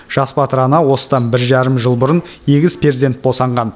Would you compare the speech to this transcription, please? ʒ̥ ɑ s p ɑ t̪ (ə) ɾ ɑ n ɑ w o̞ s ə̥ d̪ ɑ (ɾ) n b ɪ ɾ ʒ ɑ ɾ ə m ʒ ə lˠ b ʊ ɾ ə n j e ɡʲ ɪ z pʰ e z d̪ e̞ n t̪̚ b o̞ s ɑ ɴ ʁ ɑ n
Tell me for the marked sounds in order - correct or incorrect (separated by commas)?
correct, incorrect